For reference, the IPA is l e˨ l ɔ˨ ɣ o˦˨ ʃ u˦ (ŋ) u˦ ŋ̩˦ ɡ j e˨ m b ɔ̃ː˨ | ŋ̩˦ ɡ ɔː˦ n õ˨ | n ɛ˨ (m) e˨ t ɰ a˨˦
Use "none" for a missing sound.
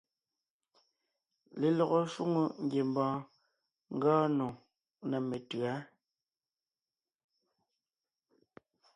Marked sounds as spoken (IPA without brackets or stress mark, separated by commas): ŋ, m